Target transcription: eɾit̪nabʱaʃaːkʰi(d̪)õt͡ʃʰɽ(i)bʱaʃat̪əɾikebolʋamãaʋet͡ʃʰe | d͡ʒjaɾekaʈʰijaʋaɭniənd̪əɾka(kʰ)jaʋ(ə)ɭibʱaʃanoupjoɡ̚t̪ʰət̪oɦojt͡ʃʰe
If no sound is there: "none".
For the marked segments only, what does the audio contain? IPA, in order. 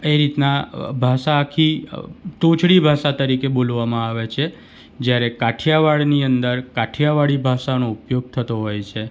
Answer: t̪, i, ʈʰ, a

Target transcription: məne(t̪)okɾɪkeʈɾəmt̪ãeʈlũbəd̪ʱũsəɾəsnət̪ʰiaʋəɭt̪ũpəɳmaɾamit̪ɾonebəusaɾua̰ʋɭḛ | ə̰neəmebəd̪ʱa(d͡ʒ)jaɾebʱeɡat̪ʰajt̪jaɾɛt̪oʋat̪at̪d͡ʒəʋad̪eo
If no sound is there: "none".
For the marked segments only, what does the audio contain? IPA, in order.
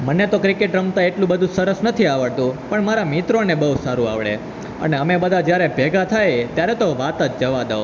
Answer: t̪, d͡ʒ

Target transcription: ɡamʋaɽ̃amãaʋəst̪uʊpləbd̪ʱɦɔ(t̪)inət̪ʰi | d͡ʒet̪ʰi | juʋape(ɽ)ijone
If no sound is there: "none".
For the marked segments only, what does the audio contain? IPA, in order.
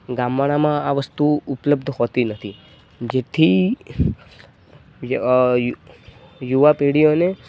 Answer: t̪, ɽ

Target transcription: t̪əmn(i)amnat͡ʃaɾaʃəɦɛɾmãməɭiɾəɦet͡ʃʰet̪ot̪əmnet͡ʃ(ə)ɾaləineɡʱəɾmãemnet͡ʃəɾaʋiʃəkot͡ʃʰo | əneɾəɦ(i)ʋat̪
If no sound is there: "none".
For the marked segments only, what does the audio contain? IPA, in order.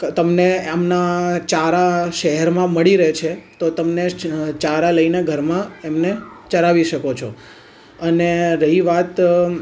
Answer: e, a, i

